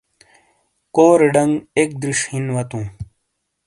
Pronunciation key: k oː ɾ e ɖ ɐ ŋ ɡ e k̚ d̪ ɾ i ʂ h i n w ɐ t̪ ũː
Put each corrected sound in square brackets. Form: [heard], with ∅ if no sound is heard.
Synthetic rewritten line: k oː ɾ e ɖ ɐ ŋ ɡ e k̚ d̪ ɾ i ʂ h i n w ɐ t̪ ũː